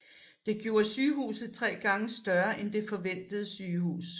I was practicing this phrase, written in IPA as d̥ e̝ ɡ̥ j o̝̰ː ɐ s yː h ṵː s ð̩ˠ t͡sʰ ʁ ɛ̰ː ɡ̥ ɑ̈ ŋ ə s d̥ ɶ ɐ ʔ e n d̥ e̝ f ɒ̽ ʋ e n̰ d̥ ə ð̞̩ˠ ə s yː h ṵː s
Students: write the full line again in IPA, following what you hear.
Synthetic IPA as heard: d̥ e̝ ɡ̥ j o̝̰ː ɐ s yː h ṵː s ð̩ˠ t͡sʰ ʁ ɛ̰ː ɡ̥ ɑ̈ ŋ ə s d̥ ɶ ɐ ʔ e n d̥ e̝ f ɒ̽ ʋ e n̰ d̥ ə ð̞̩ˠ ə s yː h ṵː s